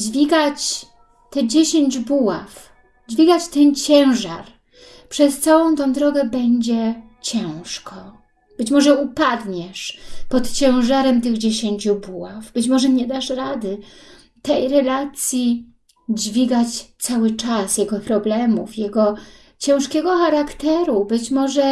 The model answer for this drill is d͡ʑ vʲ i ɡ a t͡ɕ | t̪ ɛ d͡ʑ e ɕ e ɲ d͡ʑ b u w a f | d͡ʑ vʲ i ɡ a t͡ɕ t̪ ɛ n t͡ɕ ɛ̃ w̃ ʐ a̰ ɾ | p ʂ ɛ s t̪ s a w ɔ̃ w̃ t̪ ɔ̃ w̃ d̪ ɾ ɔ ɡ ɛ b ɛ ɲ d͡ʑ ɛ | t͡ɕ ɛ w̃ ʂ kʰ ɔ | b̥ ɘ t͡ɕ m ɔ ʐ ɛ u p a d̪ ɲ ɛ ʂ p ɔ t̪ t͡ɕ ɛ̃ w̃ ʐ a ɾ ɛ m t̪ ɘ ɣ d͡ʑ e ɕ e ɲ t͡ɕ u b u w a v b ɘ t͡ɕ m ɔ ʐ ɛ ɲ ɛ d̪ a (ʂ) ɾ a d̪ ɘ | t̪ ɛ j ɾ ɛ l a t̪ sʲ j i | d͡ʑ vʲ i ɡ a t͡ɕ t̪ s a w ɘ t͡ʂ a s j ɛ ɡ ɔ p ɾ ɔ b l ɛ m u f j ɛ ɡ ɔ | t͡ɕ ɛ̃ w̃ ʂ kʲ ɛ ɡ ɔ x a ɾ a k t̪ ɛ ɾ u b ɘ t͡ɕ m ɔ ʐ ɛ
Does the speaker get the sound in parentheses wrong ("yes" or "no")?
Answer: no